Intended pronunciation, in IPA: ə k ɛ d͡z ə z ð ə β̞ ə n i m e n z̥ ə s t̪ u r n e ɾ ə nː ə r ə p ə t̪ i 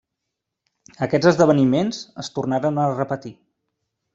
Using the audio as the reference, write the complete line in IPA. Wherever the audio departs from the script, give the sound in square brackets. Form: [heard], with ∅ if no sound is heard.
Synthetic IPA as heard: ə k ɛ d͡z ə z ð ə β̞ ə n i m e n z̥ ə s t̪ u r n [a] ɾ ə [n] ə r ə p ə t̪ i